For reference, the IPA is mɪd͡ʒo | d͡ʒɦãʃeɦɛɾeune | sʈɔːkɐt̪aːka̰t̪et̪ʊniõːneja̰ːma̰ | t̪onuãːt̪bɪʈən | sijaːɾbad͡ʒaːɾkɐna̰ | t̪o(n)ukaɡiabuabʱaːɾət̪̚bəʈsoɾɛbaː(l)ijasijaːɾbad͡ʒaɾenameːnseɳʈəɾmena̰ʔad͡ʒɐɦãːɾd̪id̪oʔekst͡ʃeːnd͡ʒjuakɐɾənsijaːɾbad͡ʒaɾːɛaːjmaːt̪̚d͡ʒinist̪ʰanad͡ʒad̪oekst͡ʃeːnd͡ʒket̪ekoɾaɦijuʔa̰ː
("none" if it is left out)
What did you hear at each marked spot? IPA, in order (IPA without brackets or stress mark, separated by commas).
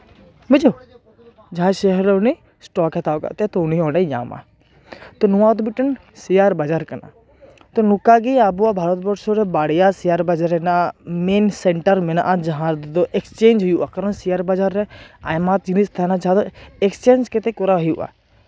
n, ɽ